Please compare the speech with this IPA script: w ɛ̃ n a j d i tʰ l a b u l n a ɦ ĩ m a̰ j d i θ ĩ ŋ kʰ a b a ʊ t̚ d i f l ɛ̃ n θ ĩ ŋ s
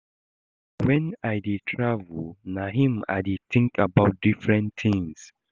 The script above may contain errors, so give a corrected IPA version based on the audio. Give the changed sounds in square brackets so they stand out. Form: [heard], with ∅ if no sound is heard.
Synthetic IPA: w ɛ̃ n a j d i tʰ [ɹ] a [v] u l n a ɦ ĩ m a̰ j d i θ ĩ ŋ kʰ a b a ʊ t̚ d i f [ɹ] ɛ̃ n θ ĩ ŋ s